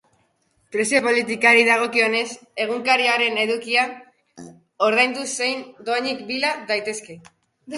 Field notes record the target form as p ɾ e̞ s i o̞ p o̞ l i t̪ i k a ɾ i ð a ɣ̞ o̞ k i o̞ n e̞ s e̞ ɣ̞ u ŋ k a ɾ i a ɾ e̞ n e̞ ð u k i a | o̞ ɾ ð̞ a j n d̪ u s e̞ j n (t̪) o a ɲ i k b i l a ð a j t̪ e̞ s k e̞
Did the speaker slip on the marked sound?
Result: yes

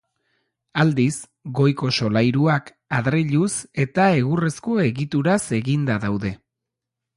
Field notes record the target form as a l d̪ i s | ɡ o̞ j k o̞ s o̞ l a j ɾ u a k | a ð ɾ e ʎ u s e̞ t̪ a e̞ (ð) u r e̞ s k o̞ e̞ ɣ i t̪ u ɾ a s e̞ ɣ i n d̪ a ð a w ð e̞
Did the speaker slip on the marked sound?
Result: yes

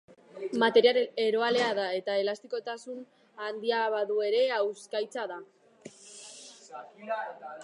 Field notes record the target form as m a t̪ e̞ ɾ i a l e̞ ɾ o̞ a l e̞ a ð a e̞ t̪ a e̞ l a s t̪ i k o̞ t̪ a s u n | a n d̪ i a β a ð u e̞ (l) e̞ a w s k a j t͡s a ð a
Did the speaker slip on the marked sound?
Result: yes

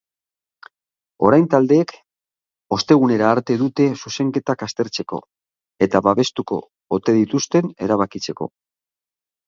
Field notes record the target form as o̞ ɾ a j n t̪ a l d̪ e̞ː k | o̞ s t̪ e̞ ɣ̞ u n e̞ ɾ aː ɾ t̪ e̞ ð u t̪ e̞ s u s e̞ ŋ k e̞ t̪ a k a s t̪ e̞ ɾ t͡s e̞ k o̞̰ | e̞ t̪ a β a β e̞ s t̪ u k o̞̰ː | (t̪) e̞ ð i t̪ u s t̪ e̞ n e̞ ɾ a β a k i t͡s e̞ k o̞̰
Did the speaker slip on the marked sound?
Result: no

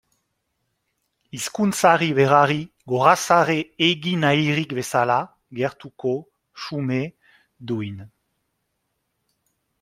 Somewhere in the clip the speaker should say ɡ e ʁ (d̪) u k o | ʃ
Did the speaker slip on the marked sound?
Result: yes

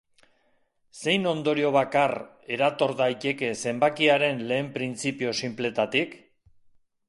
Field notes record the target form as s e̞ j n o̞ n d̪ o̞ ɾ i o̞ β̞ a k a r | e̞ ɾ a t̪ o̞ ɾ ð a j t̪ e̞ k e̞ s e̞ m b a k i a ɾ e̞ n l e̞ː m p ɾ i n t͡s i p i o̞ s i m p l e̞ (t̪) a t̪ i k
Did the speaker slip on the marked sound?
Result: no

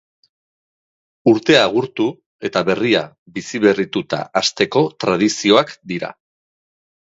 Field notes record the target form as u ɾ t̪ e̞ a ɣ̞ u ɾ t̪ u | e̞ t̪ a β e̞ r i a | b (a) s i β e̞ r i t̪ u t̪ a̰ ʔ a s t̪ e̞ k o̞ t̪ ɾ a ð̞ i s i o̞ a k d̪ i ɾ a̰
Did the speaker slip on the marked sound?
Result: yes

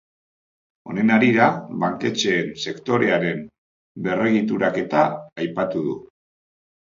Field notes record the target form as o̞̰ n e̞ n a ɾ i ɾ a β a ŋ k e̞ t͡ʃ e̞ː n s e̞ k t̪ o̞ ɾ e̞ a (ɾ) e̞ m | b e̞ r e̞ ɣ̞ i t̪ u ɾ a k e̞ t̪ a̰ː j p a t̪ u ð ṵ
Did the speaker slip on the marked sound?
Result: no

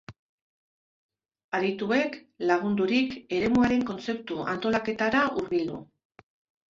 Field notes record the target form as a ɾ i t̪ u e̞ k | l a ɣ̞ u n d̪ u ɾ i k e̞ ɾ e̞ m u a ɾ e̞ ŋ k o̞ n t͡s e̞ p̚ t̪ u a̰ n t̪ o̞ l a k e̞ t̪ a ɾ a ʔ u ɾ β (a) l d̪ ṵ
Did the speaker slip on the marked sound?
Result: yes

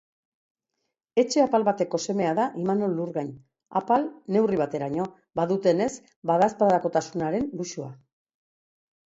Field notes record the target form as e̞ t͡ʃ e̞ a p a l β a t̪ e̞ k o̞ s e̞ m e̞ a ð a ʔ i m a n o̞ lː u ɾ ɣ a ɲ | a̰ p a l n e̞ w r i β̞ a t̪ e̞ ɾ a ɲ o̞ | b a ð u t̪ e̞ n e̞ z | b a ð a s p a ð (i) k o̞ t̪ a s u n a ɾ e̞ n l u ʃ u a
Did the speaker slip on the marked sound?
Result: yes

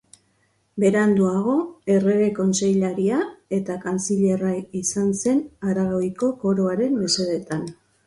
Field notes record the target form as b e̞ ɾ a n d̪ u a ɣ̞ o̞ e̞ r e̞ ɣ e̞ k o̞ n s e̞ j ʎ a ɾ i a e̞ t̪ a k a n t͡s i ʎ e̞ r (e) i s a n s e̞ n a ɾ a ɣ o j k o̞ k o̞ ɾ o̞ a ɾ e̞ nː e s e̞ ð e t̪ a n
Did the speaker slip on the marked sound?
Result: yes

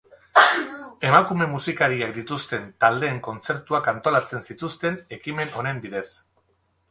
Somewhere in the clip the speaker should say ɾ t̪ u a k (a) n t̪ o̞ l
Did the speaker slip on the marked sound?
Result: no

